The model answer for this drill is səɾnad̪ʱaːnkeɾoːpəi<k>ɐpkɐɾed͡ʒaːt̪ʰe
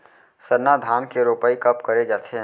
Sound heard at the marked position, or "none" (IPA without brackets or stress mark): k